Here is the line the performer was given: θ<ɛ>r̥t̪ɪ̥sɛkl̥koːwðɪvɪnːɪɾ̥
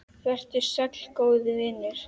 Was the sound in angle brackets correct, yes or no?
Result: yes